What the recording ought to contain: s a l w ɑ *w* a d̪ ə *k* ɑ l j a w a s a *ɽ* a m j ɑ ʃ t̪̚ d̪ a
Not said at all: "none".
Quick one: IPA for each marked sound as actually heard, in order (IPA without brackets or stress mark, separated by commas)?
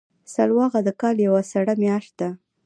ɣ, k, ɽ